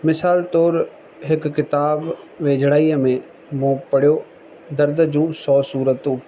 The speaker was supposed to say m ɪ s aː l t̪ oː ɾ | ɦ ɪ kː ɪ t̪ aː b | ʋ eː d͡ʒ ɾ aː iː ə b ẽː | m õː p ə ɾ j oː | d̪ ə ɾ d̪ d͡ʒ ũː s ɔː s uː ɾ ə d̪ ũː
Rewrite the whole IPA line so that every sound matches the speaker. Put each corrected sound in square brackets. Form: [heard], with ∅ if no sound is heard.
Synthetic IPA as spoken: m ɪ s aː l t̪ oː ɾ | ɦ ɪ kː ɪ t̪ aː b | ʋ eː d͡ʒ [ɽ] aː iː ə [m] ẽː | m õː p ə [ɽ] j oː | d̪ ə ɾ d̪ d͡ʒ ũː s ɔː s uː ɾ ə [t̪] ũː